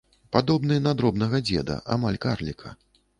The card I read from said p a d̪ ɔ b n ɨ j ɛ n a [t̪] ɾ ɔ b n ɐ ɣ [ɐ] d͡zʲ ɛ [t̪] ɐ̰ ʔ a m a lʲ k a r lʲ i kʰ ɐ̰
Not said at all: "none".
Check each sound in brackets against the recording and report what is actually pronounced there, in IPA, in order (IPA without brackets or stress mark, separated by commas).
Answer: d̪, ɐ, d̪